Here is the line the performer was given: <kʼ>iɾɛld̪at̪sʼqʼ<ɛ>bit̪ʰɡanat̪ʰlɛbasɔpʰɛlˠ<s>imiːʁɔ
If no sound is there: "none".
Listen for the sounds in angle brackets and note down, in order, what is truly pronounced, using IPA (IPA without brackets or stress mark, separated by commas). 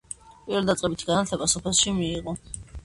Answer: pʼ, ɛ, ʃ